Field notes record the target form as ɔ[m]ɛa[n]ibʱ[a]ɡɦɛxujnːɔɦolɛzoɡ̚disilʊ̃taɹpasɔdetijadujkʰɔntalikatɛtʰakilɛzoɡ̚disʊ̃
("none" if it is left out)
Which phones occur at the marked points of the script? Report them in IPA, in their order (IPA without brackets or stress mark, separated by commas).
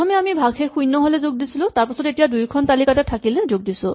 m, m, a